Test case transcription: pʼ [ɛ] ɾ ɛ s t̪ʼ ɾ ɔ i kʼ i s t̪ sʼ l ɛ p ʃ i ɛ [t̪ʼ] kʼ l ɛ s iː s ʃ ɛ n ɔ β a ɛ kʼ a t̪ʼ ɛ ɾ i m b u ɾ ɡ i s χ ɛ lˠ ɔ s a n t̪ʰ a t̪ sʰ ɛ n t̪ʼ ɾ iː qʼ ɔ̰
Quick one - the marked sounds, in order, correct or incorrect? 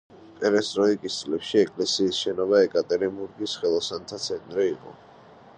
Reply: correct, incorrect: none

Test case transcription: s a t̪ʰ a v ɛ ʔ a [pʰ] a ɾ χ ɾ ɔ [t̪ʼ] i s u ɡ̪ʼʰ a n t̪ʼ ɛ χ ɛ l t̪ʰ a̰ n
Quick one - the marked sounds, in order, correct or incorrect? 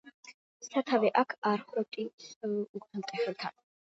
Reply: incorrect: kʰ, correct

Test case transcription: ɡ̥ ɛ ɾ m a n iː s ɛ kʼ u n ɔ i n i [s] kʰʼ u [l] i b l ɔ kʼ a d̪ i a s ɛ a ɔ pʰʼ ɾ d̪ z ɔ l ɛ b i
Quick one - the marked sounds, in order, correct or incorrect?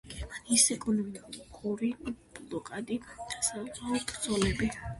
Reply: incorrect: none, incorrect: ɾ

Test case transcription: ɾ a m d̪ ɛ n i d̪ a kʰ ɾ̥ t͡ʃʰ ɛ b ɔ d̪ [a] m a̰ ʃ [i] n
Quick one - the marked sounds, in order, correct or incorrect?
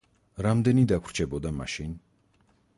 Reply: correct, correct

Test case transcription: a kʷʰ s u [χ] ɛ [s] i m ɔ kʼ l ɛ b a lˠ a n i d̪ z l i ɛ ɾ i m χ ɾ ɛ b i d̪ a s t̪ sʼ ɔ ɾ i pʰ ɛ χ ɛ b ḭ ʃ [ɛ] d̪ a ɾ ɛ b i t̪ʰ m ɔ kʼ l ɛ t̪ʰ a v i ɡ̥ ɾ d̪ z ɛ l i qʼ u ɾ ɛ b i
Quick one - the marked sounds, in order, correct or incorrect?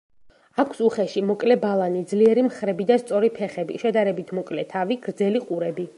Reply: correct, incorrect: ʃ, correct

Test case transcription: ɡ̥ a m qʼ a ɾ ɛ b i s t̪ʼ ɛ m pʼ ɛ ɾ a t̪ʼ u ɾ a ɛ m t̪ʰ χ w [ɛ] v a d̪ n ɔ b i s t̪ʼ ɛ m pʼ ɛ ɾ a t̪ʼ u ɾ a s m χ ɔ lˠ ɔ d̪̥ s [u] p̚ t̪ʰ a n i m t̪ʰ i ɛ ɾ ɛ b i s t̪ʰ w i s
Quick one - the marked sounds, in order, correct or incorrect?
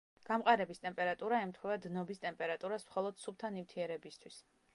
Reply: correct, correct

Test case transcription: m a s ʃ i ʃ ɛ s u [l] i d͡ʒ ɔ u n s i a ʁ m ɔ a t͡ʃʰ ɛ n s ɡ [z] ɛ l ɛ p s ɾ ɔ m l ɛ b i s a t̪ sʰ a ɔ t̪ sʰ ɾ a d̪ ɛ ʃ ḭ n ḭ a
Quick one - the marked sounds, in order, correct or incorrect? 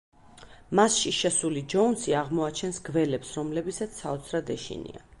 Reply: correct, incorrect: v

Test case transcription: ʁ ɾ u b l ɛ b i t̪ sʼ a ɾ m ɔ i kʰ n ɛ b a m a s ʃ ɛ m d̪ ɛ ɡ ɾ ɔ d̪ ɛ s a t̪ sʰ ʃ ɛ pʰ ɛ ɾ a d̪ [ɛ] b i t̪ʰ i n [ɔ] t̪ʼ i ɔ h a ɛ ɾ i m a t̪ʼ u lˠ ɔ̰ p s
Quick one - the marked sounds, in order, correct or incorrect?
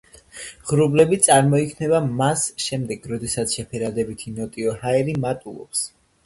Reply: correct, correct

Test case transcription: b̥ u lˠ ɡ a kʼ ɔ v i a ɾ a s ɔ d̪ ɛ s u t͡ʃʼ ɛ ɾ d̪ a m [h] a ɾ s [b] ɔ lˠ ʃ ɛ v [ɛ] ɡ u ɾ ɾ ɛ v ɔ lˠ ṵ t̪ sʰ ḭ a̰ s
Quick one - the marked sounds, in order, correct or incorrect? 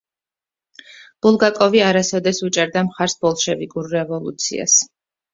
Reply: incorrect: χ, correct, incorrect: i

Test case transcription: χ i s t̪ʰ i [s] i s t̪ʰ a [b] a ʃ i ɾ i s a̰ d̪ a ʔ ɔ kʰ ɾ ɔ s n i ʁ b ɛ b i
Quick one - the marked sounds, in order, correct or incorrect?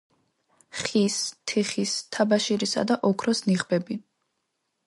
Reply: incorrect: χ, correct

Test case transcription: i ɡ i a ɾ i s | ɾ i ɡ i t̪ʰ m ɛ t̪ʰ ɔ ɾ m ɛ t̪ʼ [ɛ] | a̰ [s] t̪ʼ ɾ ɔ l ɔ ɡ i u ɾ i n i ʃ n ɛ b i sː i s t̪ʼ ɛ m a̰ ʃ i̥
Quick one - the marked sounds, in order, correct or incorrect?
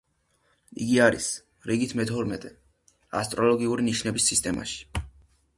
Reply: correct, correct

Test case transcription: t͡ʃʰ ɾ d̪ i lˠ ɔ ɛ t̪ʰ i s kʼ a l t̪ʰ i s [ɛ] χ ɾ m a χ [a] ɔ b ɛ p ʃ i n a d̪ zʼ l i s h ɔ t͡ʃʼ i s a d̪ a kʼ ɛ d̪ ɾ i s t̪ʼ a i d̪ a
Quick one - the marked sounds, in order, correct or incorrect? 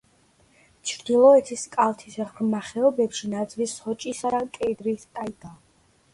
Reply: correct, incorrect: ɛ

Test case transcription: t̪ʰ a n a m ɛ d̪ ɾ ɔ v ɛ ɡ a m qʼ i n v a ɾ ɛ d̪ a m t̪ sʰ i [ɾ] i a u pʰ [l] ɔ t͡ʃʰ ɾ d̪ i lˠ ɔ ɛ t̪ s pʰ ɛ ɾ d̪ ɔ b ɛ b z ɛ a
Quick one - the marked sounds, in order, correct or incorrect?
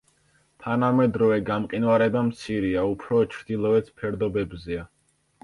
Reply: correct, incorrect: ɾ

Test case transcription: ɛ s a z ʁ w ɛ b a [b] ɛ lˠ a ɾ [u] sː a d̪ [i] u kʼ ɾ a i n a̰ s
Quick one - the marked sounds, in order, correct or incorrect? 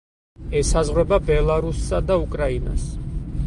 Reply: correct, correct, incorrect: a

